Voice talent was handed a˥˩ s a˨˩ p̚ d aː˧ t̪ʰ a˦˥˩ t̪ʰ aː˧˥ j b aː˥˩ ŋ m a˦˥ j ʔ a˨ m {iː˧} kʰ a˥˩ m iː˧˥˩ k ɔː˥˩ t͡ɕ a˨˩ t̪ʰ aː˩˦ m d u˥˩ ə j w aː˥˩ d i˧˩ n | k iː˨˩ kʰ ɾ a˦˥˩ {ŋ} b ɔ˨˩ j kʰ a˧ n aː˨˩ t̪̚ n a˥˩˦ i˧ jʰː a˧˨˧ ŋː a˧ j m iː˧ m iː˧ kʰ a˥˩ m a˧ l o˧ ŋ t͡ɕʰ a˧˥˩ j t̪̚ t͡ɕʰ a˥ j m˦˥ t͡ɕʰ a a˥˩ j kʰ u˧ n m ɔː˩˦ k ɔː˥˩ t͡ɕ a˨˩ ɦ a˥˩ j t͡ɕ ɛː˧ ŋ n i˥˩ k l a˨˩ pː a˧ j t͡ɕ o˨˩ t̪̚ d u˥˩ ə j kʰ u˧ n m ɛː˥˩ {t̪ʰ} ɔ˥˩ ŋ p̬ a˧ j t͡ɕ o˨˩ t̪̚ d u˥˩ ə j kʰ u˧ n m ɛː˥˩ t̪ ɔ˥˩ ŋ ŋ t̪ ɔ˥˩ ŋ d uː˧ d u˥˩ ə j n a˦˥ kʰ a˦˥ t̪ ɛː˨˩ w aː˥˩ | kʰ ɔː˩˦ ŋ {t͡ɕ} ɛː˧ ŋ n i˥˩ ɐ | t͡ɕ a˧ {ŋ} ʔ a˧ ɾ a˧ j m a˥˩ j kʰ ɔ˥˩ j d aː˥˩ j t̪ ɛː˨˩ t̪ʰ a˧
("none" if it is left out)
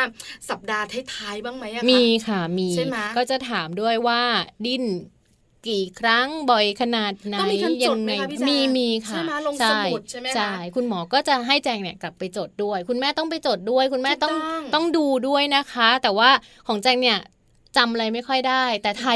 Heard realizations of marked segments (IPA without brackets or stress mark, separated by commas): iː˧, ŋ, t̪, t͡ɕ, m